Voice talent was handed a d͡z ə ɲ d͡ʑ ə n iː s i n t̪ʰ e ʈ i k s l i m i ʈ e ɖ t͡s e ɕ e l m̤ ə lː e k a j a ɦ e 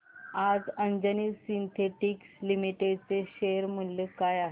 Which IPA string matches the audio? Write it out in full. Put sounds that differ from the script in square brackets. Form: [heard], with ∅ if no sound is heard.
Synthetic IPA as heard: a d͡z ə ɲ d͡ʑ ə n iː s i n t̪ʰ e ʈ i k s l i m i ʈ e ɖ t͡s e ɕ e [ɾ] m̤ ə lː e k a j a ɦ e